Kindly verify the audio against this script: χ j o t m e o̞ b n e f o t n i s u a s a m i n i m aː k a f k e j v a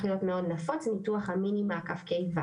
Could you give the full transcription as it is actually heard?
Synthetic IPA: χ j o t m e o̞ d n a f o t͡s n i t u a χ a m i n i m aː k a f k e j v a